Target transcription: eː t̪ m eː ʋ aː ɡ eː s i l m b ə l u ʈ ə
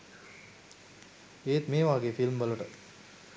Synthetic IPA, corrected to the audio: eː t̪ m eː ʋ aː ɡ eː f i l m b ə l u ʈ ə